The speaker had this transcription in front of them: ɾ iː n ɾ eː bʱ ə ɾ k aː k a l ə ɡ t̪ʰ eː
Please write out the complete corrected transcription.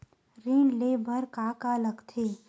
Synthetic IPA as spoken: ɾ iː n l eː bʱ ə ɾ k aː k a l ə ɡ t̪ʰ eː

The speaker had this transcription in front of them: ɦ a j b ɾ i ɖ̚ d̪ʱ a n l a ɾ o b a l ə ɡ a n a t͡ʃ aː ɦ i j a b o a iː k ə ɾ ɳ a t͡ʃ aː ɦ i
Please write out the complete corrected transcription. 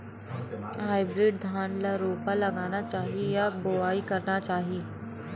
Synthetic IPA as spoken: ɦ a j b ɾ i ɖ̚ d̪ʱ a n l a ɾ o p a l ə ɡ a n a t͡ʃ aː ɦ i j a b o a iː k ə ɾ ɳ a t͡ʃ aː ɦ i

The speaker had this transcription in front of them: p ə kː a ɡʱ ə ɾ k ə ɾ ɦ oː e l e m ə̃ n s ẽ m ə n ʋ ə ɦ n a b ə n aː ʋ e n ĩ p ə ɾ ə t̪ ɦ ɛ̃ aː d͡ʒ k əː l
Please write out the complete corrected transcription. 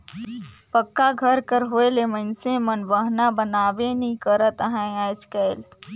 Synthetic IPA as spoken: p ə kː a ɡʱ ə ɾ k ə ɾ ɦ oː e l e m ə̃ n s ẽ m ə n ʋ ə ɦ n a b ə n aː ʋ e n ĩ k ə ɾ ə t̪ ɦ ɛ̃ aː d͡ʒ k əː l

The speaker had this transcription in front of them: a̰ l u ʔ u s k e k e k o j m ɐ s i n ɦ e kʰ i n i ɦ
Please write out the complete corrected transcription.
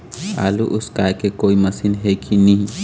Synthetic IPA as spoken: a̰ l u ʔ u s k a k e k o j m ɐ s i n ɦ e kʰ i n i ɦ

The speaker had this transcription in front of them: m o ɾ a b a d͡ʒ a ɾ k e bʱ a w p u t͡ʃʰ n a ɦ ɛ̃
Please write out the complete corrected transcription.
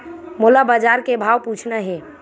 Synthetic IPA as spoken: m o l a b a d͡ʒ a ɾ k e bʱ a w p u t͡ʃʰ n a ɦ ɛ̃

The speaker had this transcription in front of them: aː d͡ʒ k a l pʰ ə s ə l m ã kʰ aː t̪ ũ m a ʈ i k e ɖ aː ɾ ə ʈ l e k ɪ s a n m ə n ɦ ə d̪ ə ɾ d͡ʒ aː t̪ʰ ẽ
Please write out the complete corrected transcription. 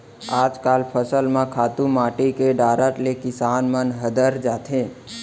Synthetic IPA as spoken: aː d͡ʒ k a l pʰ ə s ə l m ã kʰ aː t̪ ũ m a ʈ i k e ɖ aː ɾ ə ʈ l e k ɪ s a n m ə n ɦ ə d̪ ə ɾ d͡ʒ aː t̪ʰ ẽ

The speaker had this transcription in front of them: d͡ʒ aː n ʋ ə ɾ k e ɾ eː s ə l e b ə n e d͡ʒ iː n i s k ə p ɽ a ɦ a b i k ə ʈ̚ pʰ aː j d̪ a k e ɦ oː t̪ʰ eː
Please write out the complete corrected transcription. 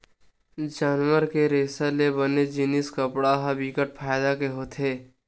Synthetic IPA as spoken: d͡ʒ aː n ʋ ə ɾ k e ɾ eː s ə l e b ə n e d͡ʒ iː n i s k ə p ɽ a ɦ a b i k ə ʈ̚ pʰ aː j d̪ a k e ɦ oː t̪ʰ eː

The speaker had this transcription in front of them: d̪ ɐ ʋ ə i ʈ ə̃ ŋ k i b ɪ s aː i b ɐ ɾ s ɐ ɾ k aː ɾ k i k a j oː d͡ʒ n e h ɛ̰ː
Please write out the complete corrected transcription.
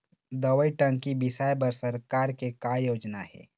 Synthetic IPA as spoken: d̪ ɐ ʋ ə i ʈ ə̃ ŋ k i b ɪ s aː j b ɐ ɾ s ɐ ɾ k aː ɾ k e k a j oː d͡ʒ n a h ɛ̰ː

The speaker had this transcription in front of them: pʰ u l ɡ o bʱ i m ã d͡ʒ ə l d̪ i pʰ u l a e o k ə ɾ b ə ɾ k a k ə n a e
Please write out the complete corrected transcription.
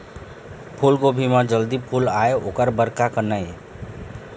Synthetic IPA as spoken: pʰ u l ɡ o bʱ i m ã d͡ʒ ə l d̪ i pʰ u l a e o k ə ɾ b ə ɾ k a k ə n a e

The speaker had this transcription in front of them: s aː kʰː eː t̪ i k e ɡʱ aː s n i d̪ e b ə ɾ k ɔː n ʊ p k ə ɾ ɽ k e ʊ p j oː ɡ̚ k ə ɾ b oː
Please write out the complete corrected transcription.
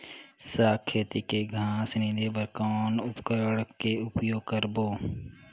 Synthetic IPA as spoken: s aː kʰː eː t̪ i k e ɡʱ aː s n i d̪ e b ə ɾ k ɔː n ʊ p k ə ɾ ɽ k e ʊ p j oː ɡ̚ k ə ɾ b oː

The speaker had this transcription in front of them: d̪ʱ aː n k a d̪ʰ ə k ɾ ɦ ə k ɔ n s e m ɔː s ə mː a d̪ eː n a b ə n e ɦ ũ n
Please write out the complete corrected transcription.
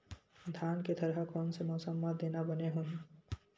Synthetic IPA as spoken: d̪ʱ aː n k e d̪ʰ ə ɾ ɦ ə k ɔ n s e m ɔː s ə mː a d̪ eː n a b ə n e ɦ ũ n

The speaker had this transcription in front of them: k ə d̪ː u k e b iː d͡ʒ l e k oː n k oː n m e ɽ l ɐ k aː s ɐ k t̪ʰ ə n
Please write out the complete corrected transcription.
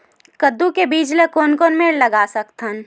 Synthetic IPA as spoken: k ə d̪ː u k e b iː d͡ʒ l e k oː n k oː n m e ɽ l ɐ ɡ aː s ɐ k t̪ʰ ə n

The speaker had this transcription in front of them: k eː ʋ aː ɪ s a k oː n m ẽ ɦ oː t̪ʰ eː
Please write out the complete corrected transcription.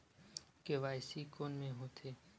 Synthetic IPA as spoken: k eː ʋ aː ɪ s i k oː n m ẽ ɦ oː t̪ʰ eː

